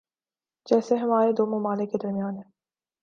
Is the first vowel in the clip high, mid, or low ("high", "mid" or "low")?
mid